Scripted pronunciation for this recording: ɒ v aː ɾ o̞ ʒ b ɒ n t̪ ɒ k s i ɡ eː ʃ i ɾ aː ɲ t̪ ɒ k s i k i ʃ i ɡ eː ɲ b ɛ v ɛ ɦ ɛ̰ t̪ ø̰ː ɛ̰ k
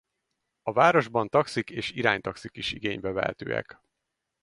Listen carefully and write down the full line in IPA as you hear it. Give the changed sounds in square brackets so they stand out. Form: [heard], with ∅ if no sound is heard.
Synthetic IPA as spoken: ɒ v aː ɾ o̞ ʒ b ɒ n t̪ ɒ k s i [k] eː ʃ i ɾ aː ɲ t̪ ɒ k s i k i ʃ i ɡ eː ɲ b ɛ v ɛ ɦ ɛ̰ t̪ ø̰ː ɛ̰ k